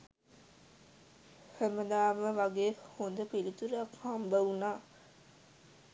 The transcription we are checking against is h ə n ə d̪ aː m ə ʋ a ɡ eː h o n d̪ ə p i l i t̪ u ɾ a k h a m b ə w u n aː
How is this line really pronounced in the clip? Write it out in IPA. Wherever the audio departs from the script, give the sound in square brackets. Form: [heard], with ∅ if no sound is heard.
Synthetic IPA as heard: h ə [m] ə d̪ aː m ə ʋ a ɡ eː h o n d̪ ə p i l i t̪ u ɾ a k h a m b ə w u n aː

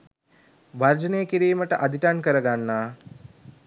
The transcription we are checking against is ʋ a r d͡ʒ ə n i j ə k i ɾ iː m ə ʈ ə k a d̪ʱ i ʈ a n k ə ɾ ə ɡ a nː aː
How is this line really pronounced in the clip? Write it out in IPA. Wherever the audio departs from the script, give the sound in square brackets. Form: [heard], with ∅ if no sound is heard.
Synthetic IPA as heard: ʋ a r d͡ʒ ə n [e] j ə k i ɾ iː m ə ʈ ə [ʔ] a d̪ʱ i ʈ a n k ə ɾ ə ɡ a nː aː

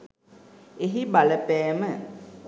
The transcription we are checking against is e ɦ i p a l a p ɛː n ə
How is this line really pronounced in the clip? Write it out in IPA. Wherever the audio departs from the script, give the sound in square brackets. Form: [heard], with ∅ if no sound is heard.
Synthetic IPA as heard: e ɦ i [b] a l [ə] p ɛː [m] ə

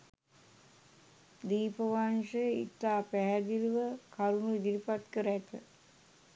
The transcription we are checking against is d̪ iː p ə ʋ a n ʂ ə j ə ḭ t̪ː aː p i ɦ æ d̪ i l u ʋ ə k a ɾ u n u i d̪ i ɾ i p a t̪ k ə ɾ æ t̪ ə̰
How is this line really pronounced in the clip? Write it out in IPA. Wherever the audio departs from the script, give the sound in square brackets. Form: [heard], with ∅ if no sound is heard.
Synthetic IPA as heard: d̪ iː p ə ʋ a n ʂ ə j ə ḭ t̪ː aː p [æ] ɦ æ d̪ i l u ʋ ə k a ɾ u n u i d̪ i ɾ i p a t̪ k ə ɾ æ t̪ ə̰

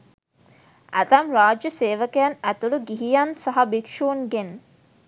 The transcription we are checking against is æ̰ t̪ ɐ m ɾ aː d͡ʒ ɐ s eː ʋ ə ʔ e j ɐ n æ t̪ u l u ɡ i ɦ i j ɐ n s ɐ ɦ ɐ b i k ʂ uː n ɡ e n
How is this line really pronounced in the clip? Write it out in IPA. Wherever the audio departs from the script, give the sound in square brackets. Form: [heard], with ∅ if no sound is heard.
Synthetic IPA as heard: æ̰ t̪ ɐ m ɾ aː d͡ʒ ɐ s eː ʋ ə [k] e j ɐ n æ t̪ u l u ɡ i ɦ i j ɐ n s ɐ ɦ ɐ b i k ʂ uː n ɡ e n

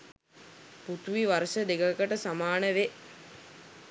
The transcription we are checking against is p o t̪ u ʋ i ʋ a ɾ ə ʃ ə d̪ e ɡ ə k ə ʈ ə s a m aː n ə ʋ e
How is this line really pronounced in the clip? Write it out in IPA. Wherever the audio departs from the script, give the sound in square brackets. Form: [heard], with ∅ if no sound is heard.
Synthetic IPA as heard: p [u] t̪ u ʋ i ʋ a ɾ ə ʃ ə d̪ e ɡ ə k ə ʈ ə s a m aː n ə ʋ e

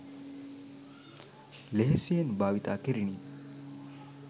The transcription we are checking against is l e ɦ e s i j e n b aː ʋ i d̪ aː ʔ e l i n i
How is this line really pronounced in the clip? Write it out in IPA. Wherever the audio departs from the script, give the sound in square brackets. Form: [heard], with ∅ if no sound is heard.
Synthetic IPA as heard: l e ɦ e s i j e n b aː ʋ i [t̪] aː [k] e [ɾ] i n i

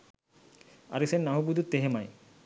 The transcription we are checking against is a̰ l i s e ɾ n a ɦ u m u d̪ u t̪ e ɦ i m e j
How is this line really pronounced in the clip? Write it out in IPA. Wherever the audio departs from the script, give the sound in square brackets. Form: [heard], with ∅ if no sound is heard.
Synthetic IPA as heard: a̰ [ɾ] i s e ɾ n a ɦ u [b] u d̪ u t̪ e ɦ [e] m [a] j

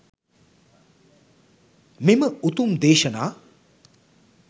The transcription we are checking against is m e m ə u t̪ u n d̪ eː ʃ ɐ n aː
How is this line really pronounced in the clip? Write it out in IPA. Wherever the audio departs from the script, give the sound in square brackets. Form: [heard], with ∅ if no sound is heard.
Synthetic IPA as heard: m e m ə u t̪ u [m] d̪ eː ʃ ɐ n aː

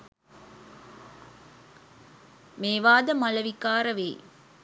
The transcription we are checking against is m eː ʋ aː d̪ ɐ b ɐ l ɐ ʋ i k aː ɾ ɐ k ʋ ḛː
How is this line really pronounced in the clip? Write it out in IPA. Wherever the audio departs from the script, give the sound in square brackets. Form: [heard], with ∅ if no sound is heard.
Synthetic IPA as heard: m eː ʋ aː d̪ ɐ [m] ɐ l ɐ ʋ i k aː ɾ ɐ [∅] ʋ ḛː

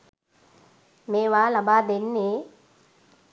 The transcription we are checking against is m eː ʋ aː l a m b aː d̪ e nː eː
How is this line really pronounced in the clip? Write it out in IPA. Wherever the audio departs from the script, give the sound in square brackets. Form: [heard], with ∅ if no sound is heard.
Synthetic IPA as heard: m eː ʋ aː l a [∅] b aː d̪ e nː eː

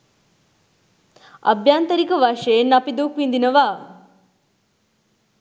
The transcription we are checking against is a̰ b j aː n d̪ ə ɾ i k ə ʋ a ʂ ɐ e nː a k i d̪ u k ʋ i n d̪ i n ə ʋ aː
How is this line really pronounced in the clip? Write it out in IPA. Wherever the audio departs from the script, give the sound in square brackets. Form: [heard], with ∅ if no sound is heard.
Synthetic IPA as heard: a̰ b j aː n [t̪] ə ɾ i k ə ʋ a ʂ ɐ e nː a [p] i d̪ u k ʋ i n d̪ i n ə ʋ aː

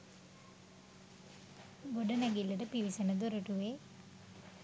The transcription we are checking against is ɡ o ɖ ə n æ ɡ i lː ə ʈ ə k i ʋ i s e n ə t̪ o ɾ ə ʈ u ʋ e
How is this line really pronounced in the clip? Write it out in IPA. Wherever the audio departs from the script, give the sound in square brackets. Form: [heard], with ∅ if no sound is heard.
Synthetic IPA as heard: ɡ o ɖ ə n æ ɡ i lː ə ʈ ə [p] i ʋ i s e n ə [d̪] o ɾ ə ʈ u ʋ e

